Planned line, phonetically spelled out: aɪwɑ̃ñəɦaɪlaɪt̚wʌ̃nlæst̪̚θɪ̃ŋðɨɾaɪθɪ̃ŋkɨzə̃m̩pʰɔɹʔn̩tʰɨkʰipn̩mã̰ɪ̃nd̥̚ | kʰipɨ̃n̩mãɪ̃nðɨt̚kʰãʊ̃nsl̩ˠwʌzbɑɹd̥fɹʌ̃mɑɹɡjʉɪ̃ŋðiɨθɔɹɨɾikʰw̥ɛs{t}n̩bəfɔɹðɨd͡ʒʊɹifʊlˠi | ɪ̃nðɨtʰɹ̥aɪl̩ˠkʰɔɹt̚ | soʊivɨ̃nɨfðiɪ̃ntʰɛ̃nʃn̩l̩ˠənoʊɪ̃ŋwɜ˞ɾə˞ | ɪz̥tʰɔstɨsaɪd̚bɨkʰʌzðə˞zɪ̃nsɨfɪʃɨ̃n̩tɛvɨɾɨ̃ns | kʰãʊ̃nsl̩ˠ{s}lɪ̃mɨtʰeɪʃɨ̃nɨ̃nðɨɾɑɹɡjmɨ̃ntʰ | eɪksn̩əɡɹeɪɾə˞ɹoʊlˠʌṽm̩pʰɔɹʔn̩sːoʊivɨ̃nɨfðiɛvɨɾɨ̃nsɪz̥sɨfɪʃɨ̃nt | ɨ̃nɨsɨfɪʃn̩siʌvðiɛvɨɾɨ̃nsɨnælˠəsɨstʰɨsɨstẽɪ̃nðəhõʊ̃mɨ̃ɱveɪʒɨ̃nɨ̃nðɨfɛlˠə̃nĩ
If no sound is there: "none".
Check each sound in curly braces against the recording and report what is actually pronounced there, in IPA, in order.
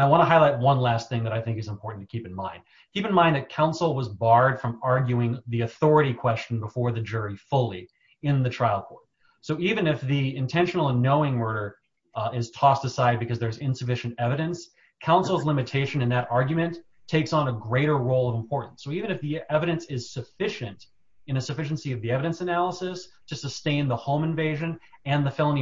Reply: t͡ʃ, z

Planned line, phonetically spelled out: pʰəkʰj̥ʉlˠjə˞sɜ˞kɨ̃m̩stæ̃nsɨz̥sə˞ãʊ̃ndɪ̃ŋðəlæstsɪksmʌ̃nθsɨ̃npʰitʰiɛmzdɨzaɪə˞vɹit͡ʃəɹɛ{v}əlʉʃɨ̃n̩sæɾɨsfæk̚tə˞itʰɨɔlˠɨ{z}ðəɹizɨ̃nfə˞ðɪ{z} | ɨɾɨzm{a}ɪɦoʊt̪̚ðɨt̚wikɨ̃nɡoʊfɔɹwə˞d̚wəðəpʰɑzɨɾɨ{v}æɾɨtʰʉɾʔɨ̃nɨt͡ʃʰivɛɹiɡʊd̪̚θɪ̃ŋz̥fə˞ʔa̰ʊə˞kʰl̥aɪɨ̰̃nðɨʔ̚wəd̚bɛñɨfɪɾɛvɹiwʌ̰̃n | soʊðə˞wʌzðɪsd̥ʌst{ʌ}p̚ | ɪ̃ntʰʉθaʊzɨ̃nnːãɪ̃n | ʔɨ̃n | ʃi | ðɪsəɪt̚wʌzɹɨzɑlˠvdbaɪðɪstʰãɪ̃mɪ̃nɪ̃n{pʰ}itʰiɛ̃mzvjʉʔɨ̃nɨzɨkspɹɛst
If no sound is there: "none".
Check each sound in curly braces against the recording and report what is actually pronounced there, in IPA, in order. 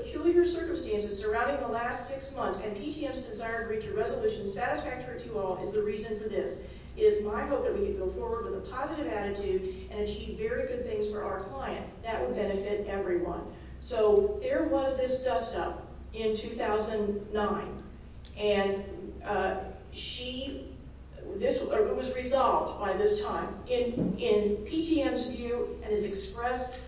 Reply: z, z, s, a, v, ʌ, pʰ

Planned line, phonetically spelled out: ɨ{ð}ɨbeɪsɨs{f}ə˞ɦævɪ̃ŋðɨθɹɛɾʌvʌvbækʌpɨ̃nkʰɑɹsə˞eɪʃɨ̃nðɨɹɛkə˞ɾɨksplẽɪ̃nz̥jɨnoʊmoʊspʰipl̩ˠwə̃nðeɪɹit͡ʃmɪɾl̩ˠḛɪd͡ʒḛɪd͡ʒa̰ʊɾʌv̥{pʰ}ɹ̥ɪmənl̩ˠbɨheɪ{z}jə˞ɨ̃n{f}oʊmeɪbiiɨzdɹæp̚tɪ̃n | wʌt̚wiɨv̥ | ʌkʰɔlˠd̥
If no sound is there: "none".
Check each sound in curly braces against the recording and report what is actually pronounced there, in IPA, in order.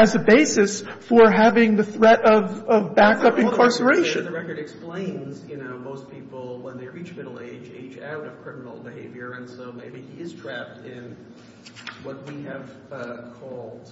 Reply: z, f, kʰ, v, s

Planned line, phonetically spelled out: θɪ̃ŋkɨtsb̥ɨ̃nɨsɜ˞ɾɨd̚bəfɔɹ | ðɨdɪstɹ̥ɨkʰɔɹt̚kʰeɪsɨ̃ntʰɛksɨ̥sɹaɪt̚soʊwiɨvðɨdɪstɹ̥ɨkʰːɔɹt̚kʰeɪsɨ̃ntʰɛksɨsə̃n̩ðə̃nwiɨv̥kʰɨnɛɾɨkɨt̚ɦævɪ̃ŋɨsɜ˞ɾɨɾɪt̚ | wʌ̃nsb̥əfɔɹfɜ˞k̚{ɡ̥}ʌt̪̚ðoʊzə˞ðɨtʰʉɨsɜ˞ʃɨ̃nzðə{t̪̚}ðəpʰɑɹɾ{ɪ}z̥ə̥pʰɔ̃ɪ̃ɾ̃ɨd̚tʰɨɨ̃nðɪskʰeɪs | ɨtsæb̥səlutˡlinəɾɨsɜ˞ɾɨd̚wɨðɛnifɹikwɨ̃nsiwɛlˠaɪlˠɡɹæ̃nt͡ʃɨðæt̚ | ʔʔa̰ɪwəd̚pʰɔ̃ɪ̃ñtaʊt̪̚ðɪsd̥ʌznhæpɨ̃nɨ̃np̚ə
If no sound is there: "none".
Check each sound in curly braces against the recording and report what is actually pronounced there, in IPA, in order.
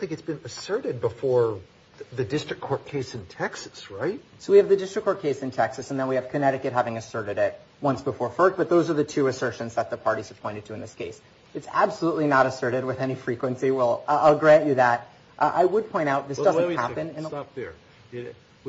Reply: b̥, t̪̚, i

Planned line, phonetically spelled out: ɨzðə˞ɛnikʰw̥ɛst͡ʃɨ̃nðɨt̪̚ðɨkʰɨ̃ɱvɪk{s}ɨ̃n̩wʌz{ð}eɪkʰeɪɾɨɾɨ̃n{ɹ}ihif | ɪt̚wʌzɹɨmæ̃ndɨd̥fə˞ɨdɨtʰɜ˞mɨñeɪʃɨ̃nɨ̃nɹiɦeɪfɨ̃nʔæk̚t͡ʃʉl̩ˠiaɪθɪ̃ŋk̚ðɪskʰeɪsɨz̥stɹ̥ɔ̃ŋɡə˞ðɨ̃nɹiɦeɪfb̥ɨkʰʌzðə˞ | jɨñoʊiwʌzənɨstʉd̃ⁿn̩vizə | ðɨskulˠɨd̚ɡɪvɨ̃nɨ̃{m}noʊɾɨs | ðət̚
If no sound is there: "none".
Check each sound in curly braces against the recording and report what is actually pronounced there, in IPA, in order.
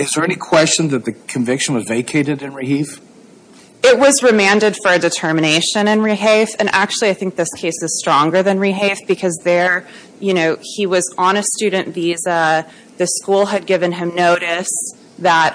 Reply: ʃ, v, ɹ, m

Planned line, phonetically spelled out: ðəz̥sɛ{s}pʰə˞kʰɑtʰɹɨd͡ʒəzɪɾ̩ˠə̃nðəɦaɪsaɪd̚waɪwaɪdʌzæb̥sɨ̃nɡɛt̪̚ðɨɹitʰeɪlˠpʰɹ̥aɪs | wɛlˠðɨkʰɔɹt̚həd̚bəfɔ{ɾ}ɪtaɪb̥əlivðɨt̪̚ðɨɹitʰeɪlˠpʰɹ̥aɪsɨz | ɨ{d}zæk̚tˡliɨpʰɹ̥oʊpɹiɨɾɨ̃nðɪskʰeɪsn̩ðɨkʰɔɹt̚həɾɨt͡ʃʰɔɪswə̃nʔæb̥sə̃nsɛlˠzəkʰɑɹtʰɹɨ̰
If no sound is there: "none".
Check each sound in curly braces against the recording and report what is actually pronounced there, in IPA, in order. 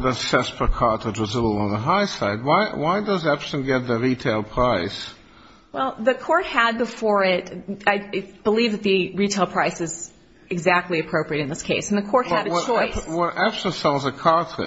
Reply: s, ɹ, ɡ

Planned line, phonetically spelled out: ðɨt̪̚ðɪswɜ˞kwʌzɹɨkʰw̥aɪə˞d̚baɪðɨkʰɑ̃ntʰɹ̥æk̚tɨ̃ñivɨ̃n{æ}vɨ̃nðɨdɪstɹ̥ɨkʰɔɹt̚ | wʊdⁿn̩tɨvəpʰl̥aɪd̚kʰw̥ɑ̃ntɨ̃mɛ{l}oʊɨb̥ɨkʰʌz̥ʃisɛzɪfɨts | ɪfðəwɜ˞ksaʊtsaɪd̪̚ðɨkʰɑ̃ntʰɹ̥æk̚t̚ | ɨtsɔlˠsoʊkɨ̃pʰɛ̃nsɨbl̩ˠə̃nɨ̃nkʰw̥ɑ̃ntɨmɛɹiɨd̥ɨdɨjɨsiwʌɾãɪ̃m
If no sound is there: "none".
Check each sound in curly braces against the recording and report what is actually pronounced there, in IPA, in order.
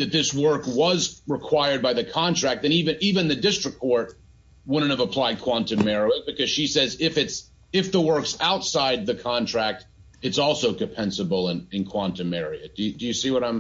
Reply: i, ɹ

